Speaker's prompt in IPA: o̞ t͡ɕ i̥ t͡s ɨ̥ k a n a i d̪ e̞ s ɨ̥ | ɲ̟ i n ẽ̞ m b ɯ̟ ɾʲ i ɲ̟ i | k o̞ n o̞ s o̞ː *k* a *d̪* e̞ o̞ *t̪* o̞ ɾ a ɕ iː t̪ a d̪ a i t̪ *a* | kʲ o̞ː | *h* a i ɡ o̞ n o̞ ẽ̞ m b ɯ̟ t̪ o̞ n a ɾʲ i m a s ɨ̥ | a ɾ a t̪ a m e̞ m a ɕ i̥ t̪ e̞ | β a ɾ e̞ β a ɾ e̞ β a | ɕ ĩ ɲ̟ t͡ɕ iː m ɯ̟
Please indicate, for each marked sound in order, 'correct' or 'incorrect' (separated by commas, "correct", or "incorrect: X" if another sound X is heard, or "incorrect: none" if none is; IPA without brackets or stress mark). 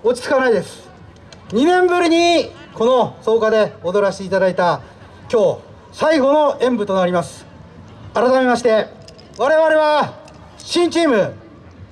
correct, correct, incorrect: d̪, correct, incorrect: s